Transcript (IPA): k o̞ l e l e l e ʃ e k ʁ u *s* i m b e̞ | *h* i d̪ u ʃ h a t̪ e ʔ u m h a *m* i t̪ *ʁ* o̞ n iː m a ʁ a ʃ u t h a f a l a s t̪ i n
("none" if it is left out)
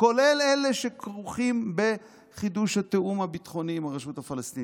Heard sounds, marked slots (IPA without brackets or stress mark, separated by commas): χ, χ, b, χ